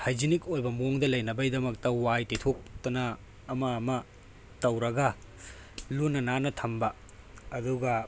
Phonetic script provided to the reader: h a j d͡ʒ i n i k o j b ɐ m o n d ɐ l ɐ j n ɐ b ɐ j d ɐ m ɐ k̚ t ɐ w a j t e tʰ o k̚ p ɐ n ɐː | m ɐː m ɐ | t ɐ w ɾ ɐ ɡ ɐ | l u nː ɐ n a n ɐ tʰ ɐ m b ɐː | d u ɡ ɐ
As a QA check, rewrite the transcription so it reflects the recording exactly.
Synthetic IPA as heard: h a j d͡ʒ i n i k o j b ɐ m o ŋ d ɐ l ɐ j n ɐ b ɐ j d ɐ m ɐ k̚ t ɐ w a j t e tʰ o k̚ t ɐ n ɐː | m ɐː m ɐ | t ɐ w ɾ ɐ ɡ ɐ | l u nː ɐ n a n ɐ tʰ ɐ m b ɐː | d u ɡ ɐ